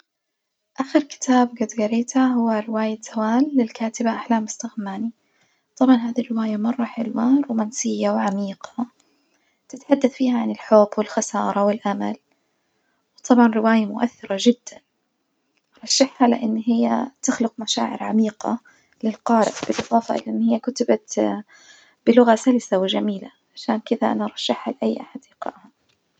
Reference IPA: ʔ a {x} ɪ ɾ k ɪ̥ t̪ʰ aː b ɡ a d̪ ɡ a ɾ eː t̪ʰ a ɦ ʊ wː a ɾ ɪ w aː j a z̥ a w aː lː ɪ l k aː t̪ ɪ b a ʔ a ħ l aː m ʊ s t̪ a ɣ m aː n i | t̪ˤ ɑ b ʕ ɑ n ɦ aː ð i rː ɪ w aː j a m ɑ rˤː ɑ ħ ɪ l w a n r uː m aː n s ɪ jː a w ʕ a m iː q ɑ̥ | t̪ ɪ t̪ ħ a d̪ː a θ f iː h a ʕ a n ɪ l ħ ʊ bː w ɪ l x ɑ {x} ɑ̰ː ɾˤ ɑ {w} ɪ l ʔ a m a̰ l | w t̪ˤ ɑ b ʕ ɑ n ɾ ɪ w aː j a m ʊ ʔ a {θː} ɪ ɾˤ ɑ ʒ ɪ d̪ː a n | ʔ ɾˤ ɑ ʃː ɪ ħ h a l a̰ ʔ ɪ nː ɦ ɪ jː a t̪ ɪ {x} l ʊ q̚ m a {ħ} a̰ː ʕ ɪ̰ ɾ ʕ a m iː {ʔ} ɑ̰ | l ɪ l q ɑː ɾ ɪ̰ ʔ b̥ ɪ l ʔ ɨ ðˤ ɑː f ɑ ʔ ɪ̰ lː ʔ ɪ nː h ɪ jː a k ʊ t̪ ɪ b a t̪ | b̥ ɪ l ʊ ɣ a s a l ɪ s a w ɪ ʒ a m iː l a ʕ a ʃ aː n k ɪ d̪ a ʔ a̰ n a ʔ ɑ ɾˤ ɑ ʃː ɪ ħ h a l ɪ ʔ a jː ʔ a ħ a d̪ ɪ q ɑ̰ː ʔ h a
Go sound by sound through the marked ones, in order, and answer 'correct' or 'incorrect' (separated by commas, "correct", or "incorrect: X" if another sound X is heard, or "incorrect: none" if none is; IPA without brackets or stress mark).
correct, incorrect: s, correct, correct, correct, incorrect: ʃ, incorrect: q